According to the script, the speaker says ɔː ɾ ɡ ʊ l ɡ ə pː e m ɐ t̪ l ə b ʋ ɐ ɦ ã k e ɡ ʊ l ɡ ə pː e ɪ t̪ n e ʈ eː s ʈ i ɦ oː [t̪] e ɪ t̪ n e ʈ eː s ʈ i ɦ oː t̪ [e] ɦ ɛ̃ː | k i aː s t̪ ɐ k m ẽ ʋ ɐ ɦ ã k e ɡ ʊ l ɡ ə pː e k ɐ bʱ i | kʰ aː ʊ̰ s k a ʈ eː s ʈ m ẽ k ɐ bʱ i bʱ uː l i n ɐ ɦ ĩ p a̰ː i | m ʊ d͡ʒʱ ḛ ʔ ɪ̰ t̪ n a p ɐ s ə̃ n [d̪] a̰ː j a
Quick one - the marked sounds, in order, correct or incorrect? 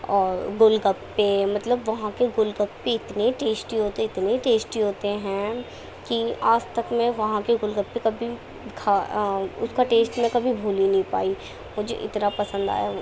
correct, correct, correct

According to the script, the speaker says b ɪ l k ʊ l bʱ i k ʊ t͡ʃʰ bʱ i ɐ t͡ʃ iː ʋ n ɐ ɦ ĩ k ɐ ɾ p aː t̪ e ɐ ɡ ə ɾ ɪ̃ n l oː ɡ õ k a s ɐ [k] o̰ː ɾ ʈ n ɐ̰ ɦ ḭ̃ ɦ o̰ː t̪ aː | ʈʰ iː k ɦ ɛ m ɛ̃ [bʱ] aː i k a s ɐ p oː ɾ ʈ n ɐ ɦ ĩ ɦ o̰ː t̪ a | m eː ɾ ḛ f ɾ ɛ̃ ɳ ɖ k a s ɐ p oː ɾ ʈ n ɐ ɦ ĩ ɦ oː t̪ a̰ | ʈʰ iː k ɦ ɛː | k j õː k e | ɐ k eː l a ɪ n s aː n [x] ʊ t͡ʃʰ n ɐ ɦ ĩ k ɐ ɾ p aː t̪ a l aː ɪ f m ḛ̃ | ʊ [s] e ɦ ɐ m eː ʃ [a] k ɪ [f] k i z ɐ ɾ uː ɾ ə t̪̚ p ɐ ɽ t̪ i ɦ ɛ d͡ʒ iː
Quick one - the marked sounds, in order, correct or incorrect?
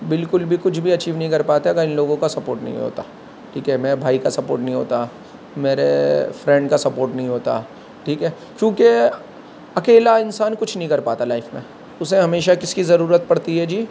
incorrect: p, correct, incorrect: k, correct, correct, incorrect: s

